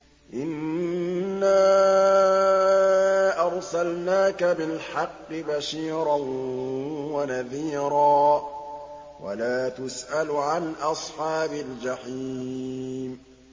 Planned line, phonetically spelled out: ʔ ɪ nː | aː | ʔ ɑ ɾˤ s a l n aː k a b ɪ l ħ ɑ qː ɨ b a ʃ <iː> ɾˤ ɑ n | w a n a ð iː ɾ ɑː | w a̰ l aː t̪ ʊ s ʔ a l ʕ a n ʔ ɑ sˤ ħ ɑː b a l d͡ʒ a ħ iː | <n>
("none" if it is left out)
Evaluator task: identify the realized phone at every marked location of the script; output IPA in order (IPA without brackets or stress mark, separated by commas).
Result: iː, m